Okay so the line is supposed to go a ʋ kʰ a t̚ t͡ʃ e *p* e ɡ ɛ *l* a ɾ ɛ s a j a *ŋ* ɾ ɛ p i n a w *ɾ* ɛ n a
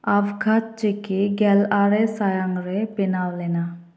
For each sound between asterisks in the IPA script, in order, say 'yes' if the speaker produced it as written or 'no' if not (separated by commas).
no, yes, yes, no